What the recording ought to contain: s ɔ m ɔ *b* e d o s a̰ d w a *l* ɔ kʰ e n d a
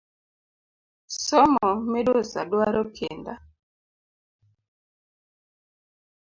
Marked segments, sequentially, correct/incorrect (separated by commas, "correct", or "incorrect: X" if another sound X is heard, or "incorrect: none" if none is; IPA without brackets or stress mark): incorrect: m, incorrect: ɾ